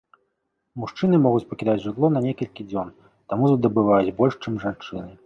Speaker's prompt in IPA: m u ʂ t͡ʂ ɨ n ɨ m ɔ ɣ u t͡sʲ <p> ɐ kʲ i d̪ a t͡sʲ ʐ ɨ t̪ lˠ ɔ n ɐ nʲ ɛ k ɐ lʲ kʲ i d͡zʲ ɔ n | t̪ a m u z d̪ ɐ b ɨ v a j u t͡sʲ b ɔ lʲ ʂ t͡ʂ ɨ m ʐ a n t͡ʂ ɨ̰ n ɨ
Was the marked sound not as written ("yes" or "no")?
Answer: no